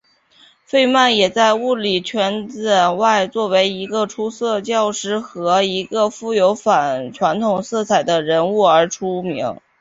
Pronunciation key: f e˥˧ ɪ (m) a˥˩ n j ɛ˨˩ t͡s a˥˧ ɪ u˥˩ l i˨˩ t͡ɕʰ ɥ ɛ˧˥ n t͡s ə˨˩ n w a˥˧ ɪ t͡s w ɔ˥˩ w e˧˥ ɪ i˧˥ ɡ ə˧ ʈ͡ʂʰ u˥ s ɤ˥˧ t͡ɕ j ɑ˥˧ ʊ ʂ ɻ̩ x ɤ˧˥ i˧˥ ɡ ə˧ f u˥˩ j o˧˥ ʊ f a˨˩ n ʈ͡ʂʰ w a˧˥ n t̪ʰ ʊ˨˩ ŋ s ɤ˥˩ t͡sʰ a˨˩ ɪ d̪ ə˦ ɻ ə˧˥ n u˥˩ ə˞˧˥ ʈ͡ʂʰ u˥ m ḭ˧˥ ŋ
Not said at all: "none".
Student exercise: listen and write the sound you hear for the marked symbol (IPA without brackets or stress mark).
m